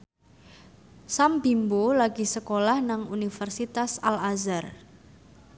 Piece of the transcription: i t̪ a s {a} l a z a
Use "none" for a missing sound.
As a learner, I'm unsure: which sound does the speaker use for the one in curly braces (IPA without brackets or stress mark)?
a